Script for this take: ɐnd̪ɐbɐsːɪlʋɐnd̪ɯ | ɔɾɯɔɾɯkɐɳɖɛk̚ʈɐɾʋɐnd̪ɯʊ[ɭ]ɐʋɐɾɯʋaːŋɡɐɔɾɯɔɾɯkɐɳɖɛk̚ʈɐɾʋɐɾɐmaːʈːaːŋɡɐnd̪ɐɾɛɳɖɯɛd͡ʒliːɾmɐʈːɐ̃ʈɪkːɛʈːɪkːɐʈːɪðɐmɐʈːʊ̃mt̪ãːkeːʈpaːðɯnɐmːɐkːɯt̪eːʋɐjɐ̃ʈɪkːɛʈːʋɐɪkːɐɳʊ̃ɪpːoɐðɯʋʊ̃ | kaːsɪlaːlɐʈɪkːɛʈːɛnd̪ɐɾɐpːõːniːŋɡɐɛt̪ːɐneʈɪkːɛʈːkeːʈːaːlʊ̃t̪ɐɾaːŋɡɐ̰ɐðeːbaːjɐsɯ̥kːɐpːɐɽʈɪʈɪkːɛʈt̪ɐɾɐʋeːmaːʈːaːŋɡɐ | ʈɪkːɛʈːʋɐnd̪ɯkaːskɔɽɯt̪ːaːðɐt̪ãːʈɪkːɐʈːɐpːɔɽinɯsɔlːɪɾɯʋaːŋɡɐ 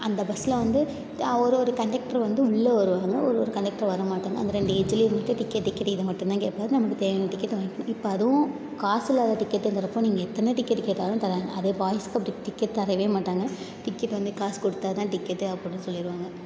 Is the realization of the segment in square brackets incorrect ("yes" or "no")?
yes